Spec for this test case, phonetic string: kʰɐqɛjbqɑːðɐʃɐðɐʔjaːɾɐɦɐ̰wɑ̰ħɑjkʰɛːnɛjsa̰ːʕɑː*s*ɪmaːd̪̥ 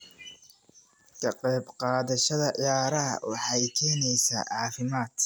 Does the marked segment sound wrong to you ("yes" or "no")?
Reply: yes